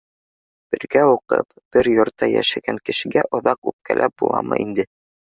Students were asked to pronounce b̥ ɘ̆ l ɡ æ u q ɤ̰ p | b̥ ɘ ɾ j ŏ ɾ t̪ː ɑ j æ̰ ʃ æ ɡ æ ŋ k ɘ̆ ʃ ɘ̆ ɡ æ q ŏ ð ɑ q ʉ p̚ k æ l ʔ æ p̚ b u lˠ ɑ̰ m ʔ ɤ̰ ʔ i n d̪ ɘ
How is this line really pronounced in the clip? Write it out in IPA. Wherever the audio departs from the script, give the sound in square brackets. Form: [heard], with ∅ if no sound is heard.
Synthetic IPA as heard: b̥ ɘ̆ [ɾ] ɡ æ u q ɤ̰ p | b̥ ɘ ɾ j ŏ ɾ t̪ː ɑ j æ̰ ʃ æ ɡ æ ŋ k ɘ̆ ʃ ɘ̆ ɡ æ [ʔ] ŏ ð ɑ q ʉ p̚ k æ l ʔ æ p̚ b u lˠ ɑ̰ m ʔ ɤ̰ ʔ i n d̪ ɘ